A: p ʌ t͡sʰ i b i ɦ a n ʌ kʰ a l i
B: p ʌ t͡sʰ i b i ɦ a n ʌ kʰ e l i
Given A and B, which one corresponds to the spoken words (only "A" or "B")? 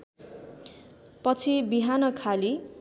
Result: A